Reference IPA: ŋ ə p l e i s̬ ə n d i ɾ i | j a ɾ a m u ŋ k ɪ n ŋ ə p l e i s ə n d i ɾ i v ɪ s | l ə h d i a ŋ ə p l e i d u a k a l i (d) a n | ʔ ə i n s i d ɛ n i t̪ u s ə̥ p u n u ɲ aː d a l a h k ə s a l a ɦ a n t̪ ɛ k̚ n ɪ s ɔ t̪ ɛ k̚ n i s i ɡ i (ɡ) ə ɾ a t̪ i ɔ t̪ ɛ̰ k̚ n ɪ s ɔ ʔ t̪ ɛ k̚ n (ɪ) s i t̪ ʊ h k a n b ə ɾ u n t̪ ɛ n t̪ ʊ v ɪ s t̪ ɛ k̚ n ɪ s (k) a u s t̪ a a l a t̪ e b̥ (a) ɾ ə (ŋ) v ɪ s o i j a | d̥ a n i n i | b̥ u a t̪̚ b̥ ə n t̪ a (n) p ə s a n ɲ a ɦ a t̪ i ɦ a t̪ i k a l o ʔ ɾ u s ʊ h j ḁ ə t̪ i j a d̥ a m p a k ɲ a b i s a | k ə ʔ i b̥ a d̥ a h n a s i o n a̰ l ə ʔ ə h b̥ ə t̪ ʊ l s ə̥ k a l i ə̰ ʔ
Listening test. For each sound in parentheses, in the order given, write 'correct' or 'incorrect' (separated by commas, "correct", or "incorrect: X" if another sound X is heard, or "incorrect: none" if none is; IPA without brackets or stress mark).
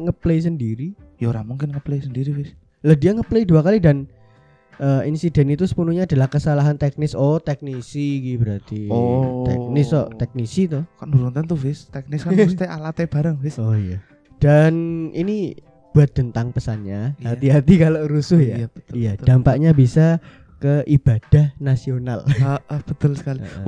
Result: correct, incorrect: b, incorrect: i, correct, correct, correct, incorrect: ŋ